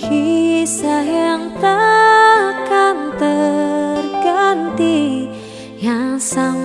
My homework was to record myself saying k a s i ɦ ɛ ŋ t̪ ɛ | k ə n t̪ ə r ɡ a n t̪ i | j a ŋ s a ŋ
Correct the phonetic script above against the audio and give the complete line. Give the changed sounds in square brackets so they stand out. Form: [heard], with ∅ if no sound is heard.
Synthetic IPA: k [i] s [a] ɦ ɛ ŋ t̪ [a] | k [a] n t̪ ə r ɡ a n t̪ i | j a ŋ s a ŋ

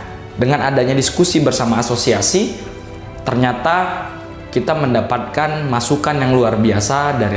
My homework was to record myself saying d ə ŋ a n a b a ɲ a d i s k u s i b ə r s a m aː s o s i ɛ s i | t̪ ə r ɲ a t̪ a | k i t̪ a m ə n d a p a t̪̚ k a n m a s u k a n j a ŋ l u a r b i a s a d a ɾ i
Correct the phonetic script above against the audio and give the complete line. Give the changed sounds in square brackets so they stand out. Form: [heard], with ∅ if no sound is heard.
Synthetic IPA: d ə ŋ a n a [d] a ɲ a d i s k u s i b ə r s a m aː s o s i [a] s i | t̪ ə r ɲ a t̪ a | k i t̪ a m ə n d a p a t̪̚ k a n m a s u k a n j a ŋ l u a r b i a s a d a ɾ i

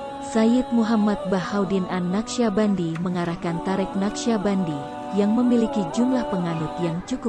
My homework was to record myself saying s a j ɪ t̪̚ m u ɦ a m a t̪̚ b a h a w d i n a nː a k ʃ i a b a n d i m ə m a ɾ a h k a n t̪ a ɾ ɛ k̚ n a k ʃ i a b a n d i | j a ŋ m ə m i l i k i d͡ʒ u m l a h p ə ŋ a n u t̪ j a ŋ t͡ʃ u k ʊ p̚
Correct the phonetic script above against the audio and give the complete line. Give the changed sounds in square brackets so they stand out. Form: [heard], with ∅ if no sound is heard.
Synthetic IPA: s a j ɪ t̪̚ m u ɦ a m a t̪̚ b a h a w d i n a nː a k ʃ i a b a n d i m ə [ŋ] a ɾ a h k a n t̪ a ɾ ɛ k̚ n a k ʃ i a b a n d i | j a ŋ m ə m i l i k i d͡ʒ u m l a h p ə ŋ a n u t̪ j a ŋ t͡ʃ u k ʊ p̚

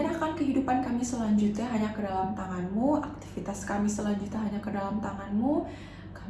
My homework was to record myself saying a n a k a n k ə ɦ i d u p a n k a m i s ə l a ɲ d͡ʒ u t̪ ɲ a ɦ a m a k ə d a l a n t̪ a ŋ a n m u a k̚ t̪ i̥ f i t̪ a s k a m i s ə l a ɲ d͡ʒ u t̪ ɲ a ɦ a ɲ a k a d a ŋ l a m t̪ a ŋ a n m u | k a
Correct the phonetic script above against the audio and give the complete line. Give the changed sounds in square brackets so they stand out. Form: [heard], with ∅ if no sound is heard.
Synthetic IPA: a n a k a n k ə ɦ i d u p a n k a m i s ə l a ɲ d͡ʒ u t̪ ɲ a ɦ a [ɲ] a k ə d a l a [m] t̪ a ŋ a n m u a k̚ t̪ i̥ f i t̪ a s k a m i s ə l a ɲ d͡ʒ u t̪ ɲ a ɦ a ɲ a k [ə] d a [∅] l a m t̪ a ŋ a n m u | k a

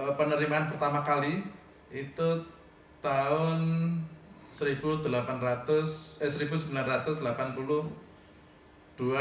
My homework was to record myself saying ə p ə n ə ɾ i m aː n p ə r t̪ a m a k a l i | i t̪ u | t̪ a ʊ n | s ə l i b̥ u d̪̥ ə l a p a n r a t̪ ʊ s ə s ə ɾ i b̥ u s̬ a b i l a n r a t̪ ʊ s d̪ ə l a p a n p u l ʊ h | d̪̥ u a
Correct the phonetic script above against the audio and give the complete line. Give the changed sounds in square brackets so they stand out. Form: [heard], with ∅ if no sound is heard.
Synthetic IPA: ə p ə n ə ɾ i m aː n p ə r t̪ a m a k a l i | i t̪ u | t̪ a ʊ n | s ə [ɾ] i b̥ u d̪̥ ə l a p a n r a t̪ ʊ s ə s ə ɾ i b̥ u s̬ [ə] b i l a n r a t̪ ʊ s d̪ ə l a p a n p u l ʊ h | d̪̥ u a

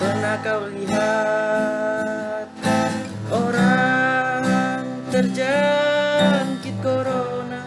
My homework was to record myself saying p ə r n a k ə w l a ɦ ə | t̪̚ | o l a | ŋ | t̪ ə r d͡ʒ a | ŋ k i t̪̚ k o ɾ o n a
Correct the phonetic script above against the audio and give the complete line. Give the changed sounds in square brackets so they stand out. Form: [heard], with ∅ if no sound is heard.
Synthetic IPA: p ə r n a k [a] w l [i] ɦ [a] | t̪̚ | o [ɾ] a | ŋ | t̪ ə r d͡ʒ a | ŋ k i t̪̚ k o ɾ o n a

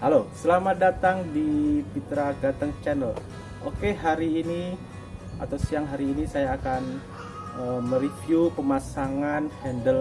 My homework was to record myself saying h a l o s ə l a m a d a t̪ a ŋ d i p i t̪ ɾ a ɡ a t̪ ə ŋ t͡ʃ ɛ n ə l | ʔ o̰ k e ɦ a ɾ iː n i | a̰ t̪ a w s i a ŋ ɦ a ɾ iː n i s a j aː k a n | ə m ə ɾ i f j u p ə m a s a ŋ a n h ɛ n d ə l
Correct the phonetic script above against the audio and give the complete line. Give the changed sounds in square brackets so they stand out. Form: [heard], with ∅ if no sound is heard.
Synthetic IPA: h a l o s ə l a m a d a t̪ a ŋ d i p i t̪ ɾ a ɡ a t̪ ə ŋ t͡ʃ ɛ n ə l | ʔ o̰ k e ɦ a ɾ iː n i | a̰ t̪ a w s i a ŋ ɦ a ɾ iː n i s a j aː k a n | ə m ə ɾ i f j u p ə m a s a ŋ a n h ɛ n d ə l

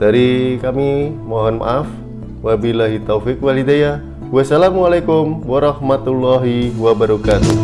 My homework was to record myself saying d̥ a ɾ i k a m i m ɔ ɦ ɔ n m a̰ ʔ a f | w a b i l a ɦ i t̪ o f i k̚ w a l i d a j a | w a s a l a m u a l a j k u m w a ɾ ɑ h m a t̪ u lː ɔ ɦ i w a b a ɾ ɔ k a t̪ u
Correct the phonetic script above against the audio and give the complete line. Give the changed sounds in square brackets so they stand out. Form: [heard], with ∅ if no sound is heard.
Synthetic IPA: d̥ a ɾ i k a m i m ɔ ɦ ɔ n m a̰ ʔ a f | w a b i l a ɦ i t̪ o f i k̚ w a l i d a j a | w a s a l a m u a l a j k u m w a ɾ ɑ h m a t̪ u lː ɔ ɦ i w a b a ɾ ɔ k a t̪ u

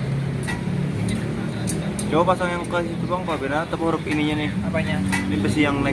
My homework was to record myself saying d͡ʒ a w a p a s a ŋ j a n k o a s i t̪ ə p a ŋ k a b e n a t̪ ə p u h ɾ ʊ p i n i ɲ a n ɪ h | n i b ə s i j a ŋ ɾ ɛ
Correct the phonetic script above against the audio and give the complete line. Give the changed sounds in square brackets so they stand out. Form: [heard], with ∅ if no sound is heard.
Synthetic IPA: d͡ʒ a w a p a s a ŋ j a [ŋ] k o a s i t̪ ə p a ŋ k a b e n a t̪ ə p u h ɾ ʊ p i n i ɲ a n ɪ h | n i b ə s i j a ŋ [l] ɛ

